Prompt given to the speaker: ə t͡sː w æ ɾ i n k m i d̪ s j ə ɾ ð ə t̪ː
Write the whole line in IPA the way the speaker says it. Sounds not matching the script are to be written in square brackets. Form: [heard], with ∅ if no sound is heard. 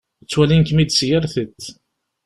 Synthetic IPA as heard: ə t͡sː w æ [l] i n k m i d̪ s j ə ɾ [θ] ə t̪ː